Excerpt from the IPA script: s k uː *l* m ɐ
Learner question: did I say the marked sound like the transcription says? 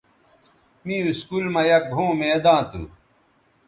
yes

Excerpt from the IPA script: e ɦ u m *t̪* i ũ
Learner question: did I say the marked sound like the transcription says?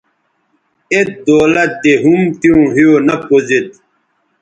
yes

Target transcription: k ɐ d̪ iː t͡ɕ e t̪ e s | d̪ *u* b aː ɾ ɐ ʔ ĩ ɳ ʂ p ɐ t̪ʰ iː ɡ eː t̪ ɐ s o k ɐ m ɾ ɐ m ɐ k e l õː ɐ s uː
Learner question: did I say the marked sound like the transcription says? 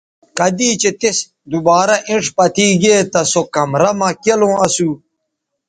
yes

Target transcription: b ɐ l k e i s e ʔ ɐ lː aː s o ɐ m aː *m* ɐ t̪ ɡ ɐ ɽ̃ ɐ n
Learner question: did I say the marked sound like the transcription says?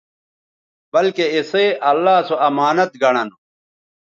no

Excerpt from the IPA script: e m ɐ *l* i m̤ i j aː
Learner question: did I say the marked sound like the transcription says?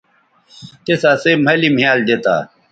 yes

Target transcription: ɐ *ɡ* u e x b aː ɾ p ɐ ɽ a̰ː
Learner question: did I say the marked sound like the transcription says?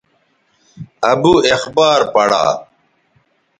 no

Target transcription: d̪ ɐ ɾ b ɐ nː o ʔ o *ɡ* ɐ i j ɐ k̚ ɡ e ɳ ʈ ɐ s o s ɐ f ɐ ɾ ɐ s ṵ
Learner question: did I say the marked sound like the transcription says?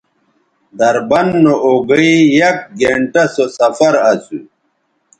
yes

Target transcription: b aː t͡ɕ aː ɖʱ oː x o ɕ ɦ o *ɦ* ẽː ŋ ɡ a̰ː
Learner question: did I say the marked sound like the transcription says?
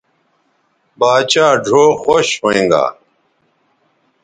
no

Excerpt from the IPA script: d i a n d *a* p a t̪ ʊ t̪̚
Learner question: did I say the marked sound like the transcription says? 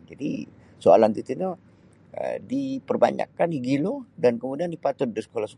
no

